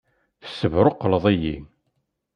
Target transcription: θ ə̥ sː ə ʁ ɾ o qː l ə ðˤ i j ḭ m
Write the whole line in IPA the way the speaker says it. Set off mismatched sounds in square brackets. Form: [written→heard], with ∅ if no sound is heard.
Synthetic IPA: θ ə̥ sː ə [ʁ→v] ɾ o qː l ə ðˤ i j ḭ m